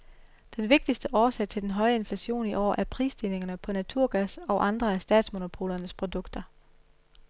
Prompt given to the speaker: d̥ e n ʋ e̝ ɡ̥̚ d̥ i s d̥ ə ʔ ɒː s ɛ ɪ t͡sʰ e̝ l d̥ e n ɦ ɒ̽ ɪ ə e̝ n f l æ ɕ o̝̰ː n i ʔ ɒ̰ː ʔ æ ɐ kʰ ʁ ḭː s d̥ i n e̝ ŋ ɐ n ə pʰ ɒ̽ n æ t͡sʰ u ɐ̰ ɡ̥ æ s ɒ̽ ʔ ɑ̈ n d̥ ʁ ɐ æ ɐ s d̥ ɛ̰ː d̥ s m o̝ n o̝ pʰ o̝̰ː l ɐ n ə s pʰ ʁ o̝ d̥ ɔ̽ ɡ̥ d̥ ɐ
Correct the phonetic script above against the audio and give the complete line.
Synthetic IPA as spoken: d̥ e n ʋ e̝ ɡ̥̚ d̥ i s d̥ ə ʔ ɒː s ɛ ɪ t͡sʰ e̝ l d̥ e n ɦ ɒ̽ ɪ ə e̝ n f l æ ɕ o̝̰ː n i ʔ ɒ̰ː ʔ æ ɐ pʰ ʁ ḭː s d̥ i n e̝ ŋ ɐ n ə pʰ ɒ̽ n æ t͡sʰ u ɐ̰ ɡ̥ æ s ɒ̽ ʔ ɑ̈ n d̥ ʁ ɐ æ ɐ s d̥ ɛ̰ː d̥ s m o̝ n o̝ pʰ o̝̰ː l ɐ n ə s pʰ ʁ o̝ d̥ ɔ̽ ɡ̥ d̥ ɐ